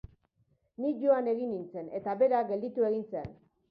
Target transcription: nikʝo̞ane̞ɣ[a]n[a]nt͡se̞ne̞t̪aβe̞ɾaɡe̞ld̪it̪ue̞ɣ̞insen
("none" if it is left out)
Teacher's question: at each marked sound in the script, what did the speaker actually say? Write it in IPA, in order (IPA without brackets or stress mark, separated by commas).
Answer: i, i